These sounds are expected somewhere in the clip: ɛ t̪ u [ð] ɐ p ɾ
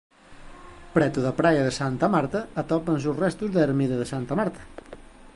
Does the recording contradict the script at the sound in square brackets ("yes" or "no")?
no